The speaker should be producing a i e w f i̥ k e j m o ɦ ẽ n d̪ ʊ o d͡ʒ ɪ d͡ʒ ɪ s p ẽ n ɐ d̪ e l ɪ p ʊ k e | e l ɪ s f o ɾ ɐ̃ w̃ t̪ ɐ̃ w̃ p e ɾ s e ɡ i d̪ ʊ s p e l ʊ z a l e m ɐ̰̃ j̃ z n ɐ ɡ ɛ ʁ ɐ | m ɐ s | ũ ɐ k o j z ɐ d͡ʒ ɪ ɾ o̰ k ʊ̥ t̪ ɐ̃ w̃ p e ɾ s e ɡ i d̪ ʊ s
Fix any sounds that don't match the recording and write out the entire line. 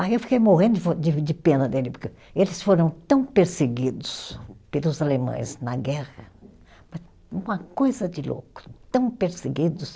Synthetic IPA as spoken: a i e w f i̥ k e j m o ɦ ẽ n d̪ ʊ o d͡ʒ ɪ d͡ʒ ɪ p ẽ n ɐ d̪ e l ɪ p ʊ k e | e l ɪ s f o ɾ ɐ̃ w̃ t̪ ɐ̃ w̃ p e ɾ s e ɡ i d̪ ʊ s p e l ʊ z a l e m ɐ̰̃ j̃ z n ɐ ɡ ɛ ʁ ɐ | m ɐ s | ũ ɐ k o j z ɐ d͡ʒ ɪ l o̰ k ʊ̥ t̪ ɐ̃ w̃ p e ɾ s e ɡ i d̪ ʊ s